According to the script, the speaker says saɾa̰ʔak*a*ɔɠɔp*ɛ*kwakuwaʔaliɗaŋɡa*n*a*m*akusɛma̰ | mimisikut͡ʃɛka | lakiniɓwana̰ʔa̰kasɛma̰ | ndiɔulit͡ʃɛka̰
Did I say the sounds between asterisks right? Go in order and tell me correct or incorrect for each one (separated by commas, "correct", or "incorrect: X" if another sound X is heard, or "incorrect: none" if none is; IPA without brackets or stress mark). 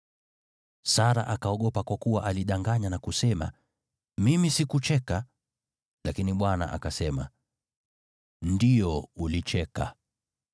correct, incorrect: a, incorrect: ɲ, incorrect: n